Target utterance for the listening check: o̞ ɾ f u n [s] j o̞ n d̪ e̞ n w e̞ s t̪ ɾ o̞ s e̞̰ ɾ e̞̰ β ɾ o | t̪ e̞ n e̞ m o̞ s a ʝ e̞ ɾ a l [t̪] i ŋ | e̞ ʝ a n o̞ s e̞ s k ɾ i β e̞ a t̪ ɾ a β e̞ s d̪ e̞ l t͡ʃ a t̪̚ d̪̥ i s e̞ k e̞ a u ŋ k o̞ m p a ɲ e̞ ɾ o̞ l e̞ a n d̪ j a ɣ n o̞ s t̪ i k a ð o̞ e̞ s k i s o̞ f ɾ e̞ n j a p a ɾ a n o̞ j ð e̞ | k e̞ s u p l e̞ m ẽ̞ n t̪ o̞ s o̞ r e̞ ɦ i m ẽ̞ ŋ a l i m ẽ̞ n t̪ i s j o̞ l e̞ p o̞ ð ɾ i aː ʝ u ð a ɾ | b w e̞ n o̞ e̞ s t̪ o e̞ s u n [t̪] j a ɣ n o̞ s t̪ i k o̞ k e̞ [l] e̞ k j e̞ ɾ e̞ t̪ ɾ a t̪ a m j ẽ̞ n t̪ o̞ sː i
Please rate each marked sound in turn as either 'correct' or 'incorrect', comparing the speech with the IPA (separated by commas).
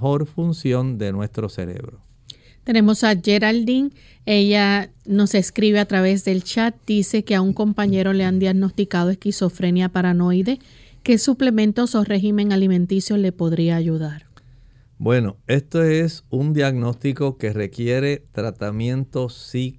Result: correct, incorrect, incorrect, incorrect